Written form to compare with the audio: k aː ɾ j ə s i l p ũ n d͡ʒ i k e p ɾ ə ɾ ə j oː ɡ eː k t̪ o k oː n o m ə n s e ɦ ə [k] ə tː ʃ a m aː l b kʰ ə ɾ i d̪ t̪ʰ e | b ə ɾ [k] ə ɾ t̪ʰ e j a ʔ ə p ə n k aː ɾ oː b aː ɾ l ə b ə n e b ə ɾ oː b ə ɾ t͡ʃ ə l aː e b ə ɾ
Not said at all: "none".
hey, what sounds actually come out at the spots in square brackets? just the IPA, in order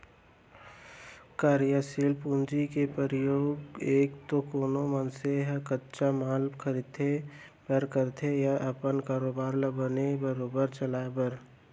k, k

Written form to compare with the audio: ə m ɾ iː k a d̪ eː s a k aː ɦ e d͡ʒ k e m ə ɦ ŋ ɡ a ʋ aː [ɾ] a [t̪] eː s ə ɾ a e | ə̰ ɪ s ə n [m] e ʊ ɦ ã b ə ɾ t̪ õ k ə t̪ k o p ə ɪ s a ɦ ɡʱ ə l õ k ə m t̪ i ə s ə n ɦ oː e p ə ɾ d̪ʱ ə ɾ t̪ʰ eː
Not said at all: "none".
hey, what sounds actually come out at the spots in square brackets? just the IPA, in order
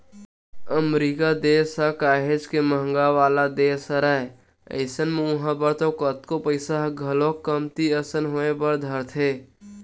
l, d̪, m

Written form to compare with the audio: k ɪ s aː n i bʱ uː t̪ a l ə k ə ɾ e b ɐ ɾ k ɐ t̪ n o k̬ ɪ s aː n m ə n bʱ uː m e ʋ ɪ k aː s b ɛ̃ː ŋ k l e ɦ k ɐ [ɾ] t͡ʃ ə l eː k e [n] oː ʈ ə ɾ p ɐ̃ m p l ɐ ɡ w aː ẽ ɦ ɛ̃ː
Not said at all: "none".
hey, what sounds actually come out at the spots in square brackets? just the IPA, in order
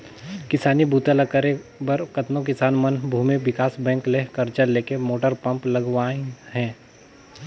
ɾ, m

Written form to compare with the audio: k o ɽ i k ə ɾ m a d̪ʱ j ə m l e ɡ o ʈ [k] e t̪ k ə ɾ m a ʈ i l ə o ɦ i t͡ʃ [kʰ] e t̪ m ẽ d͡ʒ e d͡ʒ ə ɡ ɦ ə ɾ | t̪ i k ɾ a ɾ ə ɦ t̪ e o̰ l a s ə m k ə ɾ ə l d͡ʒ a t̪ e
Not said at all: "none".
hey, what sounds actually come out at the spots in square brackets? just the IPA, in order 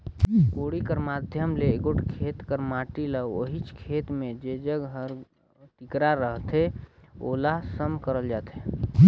kʰ, kʰ

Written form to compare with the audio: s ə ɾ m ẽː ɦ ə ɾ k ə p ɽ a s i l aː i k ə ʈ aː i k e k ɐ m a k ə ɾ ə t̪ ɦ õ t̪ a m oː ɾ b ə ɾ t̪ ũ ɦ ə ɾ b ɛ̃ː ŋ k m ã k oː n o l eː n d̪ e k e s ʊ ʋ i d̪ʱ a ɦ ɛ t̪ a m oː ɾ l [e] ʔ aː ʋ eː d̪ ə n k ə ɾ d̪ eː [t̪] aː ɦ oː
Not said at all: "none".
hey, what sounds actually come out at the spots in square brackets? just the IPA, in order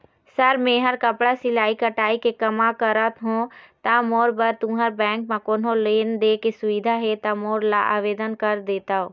a, t̪

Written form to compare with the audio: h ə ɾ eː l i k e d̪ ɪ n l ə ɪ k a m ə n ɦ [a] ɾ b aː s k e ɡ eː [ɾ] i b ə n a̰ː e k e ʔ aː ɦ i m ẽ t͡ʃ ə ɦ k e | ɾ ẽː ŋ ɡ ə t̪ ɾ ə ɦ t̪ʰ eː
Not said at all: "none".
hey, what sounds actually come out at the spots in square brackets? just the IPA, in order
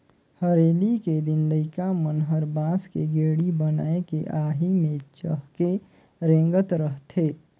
ə, ɽ

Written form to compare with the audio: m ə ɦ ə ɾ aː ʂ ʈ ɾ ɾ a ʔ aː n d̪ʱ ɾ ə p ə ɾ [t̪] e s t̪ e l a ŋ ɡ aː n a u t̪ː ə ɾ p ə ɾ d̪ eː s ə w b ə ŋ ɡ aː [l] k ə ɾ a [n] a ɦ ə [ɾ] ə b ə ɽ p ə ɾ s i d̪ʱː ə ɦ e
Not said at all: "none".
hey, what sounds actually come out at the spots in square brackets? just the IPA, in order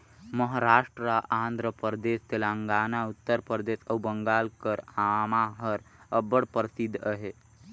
d̪, l, m, ɾ

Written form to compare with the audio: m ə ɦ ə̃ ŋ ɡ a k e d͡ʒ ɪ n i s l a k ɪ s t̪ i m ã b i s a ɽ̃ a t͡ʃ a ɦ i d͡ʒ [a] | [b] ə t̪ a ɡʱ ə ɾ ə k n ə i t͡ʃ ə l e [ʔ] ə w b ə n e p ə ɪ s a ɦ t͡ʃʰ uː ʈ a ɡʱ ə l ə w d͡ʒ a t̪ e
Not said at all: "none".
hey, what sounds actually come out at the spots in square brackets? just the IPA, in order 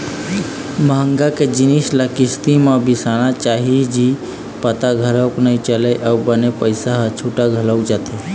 i, p, ʔ

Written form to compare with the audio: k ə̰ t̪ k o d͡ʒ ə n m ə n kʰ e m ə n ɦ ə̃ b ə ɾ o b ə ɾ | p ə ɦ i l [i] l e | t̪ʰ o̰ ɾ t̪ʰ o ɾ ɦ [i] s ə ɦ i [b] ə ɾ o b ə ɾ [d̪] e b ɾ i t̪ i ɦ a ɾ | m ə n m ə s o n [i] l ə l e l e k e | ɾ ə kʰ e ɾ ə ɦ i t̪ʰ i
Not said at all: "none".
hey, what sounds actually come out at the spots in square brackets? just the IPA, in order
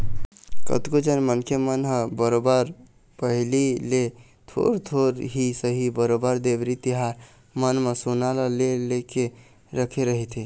i, i, b, d̪, a

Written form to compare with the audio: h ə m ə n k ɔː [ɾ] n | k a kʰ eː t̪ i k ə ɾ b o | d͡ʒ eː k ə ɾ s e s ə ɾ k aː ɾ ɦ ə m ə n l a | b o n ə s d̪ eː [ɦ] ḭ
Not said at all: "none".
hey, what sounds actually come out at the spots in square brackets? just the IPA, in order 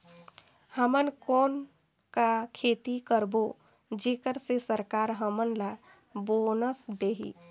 none, ɦ

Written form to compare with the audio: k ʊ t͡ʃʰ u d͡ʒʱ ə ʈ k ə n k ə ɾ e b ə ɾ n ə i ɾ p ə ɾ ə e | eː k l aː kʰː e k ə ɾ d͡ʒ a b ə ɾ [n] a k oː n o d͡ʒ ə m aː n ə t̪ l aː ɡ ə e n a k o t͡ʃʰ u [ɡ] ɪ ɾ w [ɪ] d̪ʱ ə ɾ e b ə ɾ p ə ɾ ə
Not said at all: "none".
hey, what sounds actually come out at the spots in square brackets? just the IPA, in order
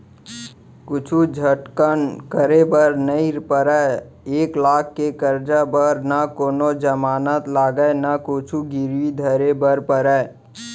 n, ɡ, i

